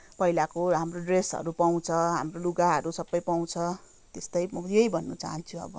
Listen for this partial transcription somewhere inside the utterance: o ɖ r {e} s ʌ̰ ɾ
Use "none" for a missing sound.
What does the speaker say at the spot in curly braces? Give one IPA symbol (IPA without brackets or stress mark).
e